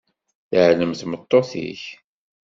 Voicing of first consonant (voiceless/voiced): voiceless